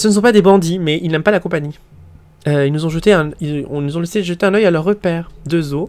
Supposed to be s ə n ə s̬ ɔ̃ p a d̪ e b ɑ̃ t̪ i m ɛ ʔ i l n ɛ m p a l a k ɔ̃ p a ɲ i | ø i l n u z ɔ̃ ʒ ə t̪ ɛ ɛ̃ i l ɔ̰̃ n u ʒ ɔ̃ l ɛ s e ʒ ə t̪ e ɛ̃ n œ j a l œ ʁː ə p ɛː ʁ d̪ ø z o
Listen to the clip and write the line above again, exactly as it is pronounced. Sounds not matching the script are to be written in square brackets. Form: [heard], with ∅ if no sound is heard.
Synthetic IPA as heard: s ə n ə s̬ ɔ̃ p a d̪ e b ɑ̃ [d̪] i m ɛ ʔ i l n ɛ m p a l a k ɔ̃ p a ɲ i | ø i l n u z ɔ̃ ʒ ə t̪ [e] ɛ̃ i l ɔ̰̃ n u [z] ɔ̃ l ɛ s e ʒ ə t̪ e ɛ̃ n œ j a l œ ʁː ə p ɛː ʁ d̪ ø z o